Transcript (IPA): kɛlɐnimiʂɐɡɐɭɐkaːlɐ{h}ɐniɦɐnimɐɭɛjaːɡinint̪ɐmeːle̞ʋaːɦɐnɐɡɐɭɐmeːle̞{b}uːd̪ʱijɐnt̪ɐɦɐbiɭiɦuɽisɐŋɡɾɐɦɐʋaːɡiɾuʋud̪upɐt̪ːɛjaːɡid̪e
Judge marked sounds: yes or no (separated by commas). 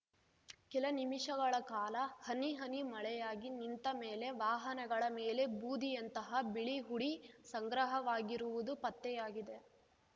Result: yes, yes